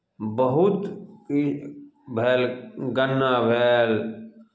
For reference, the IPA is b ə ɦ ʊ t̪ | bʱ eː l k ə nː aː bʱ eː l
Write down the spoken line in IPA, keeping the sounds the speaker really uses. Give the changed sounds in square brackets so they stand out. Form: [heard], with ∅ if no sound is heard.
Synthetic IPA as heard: b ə ɦ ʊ t̪ | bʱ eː l [ɡ] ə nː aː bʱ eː l